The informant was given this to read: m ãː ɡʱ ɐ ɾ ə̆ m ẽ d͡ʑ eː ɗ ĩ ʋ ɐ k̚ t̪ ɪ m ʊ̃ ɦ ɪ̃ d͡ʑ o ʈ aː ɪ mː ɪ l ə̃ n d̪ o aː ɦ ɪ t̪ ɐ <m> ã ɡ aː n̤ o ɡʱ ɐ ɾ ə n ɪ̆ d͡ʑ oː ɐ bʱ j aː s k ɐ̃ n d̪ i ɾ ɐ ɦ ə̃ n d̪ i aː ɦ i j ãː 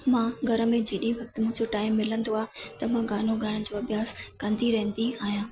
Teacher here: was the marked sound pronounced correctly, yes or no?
yes